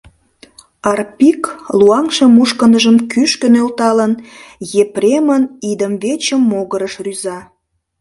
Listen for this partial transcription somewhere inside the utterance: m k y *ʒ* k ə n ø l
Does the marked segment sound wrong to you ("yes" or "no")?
yes